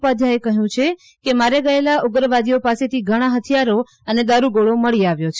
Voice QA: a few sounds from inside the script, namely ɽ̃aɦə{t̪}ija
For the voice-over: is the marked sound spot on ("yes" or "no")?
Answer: no